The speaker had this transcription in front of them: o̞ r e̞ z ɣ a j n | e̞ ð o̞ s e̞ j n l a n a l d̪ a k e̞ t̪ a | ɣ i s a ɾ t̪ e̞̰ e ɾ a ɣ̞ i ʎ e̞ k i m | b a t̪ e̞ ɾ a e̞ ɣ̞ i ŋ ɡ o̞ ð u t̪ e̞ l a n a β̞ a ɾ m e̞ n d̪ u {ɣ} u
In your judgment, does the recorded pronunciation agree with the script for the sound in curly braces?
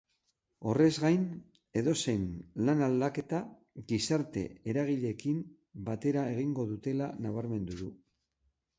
no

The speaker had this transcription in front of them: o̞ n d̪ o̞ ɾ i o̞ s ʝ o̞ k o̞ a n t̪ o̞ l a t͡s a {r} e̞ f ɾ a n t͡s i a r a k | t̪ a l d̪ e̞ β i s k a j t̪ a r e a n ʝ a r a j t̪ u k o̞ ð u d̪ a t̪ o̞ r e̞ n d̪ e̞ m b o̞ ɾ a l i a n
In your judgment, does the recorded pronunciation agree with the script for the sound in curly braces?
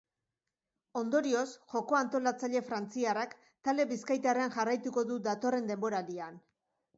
no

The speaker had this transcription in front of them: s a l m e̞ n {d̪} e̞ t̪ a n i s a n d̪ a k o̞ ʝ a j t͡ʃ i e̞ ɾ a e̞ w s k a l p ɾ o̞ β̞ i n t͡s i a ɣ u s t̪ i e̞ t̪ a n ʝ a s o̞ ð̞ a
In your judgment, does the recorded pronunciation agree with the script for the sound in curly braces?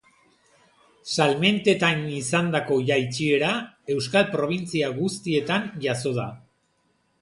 no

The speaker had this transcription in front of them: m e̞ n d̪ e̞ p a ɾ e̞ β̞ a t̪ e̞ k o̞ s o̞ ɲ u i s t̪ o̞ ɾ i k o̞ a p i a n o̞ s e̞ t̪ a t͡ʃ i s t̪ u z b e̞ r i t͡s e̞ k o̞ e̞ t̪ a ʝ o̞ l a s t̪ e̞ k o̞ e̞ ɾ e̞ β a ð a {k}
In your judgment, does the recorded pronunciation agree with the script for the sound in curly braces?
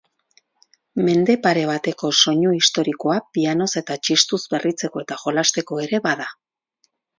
no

